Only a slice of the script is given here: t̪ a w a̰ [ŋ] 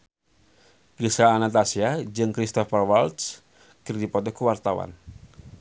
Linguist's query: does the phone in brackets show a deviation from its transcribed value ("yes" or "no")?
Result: yes